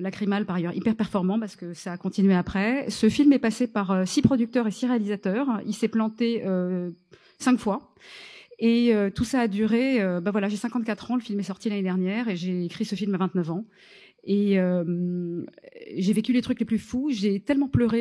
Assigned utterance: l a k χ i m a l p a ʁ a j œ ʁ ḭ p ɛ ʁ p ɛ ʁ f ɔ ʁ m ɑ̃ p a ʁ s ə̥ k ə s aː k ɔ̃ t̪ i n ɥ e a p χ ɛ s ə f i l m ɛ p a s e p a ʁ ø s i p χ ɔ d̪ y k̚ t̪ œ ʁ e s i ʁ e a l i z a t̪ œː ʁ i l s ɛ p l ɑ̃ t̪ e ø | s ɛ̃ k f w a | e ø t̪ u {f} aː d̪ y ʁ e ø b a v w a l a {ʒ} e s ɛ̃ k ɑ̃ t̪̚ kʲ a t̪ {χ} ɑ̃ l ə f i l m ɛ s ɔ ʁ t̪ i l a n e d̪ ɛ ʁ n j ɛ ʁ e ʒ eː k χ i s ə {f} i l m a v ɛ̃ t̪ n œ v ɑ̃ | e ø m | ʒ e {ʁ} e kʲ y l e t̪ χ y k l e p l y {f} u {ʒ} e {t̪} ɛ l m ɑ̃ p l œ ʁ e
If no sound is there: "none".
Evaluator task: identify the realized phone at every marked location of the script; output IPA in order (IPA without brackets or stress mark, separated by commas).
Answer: s, ʒ, χ, f, v, f, ʒ, t̪